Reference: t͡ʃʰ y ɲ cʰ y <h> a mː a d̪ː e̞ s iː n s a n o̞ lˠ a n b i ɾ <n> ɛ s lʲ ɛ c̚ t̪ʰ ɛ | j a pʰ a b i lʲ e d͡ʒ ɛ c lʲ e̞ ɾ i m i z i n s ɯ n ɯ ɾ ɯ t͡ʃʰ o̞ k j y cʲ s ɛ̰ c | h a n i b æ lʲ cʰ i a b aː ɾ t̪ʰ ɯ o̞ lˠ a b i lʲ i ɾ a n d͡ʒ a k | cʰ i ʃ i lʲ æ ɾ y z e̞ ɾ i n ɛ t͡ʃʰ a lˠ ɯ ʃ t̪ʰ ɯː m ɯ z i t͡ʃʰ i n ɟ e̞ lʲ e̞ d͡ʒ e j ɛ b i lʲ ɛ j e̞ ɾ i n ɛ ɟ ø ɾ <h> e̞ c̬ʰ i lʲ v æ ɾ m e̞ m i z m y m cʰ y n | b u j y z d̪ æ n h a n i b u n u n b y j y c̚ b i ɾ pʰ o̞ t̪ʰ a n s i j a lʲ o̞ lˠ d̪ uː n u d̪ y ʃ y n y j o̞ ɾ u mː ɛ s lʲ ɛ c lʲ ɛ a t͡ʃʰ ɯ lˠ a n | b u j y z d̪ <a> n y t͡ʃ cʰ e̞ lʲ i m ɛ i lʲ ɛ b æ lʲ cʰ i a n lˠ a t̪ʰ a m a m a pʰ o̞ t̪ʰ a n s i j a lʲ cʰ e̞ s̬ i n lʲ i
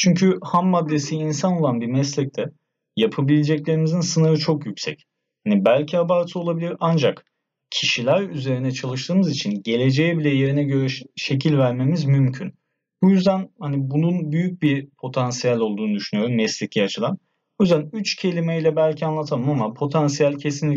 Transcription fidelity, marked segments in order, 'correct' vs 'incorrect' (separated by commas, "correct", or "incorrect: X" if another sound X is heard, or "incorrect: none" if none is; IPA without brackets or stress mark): correct, incorrect: m, incorrect: ʃ, incorrect: æ